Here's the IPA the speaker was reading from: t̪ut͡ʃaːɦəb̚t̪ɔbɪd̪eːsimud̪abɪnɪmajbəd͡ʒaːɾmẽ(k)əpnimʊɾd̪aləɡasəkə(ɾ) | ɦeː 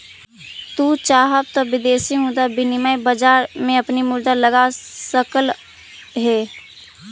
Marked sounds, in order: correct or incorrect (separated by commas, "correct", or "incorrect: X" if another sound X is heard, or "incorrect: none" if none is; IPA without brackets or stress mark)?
incorrect: none, incorrect: l